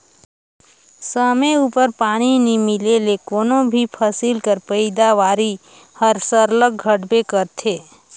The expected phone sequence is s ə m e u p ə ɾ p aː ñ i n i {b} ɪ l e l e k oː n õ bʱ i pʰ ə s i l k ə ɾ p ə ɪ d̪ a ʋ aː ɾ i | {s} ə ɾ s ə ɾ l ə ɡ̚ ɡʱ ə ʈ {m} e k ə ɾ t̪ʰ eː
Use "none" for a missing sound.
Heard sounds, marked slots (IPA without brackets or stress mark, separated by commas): m, h, b